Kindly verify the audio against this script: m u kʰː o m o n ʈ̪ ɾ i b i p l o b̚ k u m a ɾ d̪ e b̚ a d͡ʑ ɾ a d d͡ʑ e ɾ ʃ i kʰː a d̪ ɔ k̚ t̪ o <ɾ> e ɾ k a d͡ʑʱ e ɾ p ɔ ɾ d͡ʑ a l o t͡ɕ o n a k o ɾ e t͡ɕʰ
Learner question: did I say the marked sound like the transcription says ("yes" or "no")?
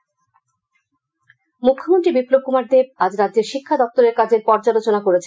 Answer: yes